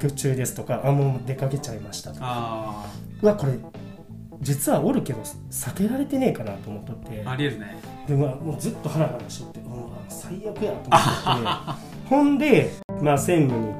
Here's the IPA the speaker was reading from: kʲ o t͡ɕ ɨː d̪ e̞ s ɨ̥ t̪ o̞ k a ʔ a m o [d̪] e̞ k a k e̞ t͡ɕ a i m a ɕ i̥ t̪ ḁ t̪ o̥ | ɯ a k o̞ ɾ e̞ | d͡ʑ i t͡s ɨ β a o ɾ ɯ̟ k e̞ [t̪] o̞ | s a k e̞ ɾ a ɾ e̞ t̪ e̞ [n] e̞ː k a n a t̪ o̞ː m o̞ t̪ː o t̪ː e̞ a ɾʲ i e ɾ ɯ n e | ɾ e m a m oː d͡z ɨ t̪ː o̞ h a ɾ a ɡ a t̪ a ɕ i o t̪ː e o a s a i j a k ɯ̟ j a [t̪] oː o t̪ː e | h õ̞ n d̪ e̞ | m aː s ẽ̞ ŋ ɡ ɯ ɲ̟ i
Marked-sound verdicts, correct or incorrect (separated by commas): correct, incorrect, correct, correct